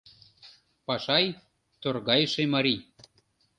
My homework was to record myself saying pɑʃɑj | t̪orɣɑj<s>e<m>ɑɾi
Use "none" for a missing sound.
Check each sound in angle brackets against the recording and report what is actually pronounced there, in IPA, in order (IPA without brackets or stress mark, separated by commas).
ʃ, m